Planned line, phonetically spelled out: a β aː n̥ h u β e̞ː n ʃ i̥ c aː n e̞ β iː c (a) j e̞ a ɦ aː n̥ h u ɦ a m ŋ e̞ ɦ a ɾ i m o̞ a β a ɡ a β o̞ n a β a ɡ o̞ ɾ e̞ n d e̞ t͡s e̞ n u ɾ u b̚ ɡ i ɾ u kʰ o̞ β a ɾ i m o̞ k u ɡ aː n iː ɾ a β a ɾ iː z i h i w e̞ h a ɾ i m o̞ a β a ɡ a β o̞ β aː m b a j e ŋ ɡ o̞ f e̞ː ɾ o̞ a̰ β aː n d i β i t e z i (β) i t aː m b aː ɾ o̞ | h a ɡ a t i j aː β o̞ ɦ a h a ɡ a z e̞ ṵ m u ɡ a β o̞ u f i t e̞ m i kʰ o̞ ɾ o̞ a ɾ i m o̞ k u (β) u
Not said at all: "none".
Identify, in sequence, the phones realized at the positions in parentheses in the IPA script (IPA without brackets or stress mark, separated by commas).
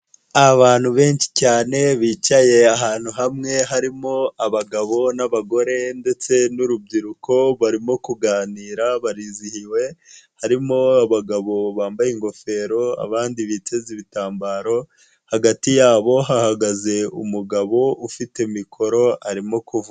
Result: a, β, v